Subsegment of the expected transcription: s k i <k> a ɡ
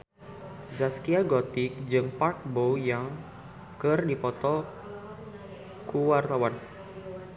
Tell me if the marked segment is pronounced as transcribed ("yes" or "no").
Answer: no